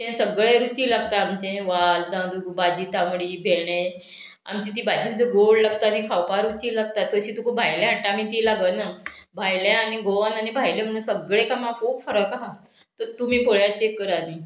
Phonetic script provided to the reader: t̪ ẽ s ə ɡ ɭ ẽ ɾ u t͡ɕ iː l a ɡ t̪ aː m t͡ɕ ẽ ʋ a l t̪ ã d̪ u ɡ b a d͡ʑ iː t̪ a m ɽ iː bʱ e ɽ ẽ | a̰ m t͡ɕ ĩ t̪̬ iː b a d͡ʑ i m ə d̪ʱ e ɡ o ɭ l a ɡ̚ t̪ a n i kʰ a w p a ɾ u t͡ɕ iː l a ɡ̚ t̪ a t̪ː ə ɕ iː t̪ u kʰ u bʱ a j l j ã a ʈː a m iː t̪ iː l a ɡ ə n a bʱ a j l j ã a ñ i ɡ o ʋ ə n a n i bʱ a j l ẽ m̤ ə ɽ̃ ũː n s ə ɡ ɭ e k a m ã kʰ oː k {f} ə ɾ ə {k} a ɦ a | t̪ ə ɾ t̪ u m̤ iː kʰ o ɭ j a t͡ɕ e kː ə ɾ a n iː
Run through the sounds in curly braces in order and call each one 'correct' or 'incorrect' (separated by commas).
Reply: correct, correct